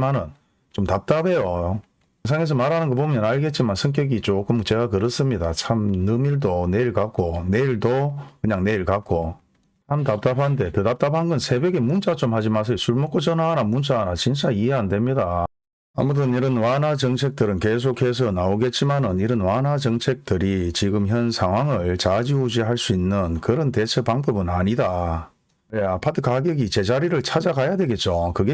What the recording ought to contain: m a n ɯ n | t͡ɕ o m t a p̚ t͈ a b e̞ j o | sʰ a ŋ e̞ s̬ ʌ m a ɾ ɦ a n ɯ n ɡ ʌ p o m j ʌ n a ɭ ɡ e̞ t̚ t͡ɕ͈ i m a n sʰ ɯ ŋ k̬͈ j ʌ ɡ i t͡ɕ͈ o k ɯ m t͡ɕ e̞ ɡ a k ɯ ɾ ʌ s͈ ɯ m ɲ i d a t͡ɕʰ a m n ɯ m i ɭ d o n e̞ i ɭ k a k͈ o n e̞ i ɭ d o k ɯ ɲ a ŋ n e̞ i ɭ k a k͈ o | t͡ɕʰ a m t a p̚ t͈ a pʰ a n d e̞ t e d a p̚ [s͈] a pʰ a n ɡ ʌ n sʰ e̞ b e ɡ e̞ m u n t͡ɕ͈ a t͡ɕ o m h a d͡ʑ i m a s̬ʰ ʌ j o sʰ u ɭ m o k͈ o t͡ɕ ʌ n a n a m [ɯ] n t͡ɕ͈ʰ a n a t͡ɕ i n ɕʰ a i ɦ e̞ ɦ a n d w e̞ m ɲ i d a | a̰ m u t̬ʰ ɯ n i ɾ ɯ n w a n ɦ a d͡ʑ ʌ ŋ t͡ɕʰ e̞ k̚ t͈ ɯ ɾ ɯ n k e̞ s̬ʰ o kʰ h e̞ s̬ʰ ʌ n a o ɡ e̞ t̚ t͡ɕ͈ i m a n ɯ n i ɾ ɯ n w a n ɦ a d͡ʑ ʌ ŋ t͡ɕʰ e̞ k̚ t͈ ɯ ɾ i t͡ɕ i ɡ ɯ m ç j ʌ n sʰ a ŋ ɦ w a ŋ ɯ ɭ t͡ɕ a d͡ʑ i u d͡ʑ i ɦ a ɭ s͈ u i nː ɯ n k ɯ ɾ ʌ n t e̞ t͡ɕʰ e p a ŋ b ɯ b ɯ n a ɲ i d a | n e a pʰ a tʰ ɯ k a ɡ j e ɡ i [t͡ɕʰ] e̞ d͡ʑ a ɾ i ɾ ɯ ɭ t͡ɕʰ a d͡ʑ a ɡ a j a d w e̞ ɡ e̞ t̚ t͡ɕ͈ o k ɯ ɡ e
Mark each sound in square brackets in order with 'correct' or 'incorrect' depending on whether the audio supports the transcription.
incorrect, incorrect, incorrect

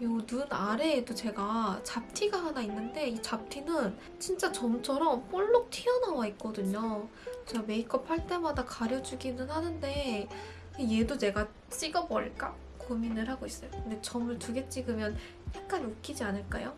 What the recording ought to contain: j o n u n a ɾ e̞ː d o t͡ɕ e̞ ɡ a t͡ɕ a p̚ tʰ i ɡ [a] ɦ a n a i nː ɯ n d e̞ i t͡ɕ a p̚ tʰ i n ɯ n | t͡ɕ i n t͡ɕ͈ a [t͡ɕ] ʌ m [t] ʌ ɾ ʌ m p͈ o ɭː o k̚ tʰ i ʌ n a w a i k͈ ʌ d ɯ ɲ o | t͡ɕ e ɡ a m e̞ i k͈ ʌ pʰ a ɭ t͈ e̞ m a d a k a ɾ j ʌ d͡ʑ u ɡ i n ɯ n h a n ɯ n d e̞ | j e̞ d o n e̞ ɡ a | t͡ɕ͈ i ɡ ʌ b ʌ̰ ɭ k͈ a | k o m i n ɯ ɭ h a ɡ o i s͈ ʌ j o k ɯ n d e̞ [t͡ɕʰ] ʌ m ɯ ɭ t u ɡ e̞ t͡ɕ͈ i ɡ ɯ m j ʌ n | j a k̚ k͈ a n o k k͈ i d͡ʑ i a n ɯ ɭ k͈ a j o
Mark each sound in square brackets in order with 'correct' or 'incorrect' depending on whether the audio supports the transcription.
correct, correct, incorrect, incorrect

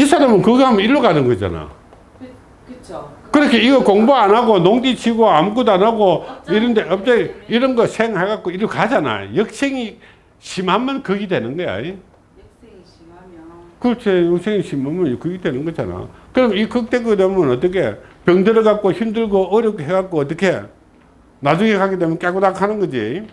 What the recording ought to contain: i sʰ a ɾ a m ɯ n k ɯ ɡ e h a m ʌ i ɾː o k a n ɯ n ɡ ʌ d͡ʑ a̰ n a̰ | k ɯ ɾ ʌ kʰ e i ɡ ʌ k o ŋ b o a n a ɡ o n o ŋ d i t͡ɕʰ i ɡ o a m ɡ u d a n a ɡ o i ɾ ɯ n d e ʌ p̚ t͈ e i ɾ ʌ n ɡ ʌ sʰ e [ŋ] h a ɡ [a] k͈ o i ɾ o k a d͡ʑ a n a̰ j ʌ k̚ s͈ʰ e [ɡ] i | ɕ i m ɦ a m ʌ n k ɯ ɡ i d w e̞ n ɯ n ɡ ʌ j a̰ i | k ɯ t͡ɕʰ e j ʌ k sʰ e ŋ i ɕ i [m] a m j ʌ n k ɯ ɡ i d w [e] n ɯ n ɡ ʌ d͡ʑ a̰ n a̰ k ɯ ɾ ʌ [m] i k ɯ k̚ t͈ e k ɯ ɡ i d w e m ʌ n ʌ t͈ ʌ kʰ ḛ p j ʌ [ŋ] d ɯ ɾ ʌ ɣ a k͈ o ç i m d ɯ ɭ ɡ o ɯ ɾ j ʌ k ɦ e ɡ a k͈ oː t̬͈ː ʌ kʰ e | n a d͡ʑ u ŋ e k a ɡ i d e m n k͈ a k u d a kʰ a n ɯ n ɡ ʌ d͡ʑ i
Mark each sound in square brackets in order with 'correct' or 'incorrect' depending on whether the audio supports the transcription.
correct, correct, incorrect, correct, correct, correct, correct

